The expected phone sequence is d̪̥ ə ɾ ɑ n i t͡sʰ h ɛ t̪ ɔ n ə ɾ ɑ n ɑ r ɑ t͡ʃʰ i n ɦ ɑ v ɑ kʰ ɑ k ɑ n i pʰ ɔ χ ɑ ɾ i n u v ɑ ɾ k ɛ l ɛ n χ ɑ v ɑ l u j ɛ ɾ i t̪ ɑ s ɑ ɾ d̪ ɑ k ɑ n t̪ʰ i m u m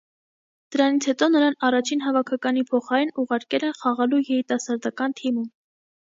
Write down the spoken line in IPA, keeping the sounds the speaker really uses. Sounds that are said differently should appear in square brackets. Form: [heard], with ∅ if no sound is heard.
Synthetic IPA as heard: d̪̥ ə ɾ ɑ n i t͡sʰ h ɛ t̪ ɔ n ə ɾ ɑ n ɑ r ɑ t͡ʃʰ i n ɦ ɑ v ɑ kʰ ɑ k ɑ n i pʰ ɔ χ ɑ ɾ i n u [ʁ] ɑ ɾ k ɛ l ɛ n χ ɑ [ʁ] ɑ l u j ɛ ɾ i t̪ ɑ s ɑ ɾ d̪ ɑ k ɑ n t̪ʰ i m u m